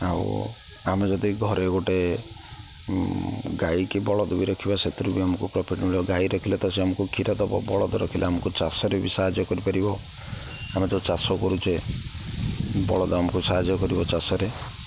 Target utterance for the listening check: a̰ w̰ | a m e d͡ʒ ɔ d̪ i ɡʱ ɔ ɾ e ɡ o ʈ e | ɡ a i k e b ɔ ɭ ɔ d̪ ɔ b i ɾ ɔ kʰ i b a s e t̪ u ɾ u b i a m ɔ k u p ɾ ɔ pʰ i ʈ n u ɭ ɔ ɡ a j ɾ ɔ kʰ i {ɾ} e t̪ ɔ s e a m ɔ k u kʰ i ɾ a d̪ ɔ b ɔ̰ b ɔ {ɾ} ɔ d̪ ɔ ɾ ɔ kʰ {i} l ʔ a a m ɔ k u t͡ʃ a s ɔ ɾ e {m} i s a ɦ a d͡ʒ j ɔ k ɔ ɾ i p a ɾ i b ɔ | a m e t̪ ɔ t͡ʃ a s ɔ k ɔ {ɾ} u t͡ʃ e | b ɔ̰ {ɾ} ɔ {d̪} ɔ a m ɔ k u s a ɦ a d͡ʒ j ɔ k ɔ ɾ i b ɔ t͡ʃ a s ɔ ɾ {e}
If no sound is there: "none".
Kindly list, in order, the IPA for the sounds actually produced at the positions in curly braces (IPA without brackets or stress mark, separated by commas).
l, ɭ, i, b, ɾ, ɭ, d̪, e